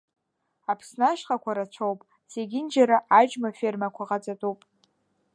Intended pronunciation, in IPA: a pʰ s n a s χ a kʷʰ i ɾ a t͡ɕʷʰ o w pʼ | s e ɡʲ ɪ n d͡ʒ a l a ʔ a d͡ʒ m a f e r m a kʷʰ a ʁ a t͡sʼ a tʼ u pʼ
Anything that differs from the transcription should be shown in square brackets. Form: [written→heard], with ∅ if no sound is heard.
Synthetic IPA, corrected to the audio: a pʰ s n a [s→ʃ] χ a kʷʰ [i→a] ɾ a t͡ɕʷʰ o w pʼ | s e ɡʲ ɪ n d͡ʒ a [l→ɾ] a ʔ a d͡ʒ m a f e r m a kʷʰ a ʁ a t͡sʼ a tʼ u pʼ